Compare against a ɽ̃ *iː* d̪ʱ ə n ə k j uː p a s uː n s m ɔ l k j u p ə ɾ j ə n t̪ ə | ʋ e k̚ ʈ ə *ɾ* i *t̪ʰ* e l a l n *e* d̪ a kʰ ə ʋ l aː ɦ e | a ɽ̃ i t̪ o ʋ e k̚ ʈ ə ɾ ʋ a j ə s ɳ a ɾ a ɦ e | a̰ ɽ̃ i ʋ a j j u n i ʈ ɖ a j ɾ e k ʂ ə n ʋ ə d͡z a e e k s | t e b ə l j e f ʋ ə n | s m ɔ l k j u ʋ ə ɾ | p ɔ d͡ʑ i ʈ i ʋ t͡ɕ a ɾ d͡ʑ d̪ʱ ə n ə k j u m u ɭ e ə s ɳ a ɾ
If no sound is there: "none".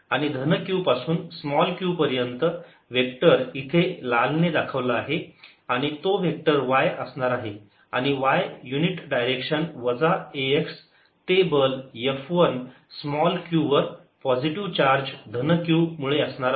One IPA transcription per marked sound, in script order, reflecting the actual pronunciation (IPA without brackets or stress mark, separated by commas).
i, ɾ, t̪ʰ, e